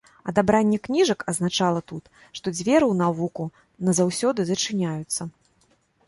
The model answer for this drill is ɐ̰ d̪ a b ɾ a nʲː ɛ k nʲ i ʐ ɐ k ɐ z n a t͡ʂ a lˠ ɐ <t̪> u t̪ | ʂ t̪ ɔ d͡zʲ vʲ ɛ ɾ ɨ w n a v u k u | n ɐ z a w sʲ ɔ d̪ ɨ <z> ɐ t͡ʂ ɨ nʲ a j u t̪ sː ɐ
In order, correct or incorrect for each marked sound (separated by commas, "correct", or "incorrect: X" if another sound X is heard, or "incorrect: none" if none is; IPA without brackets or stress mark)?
correct, correct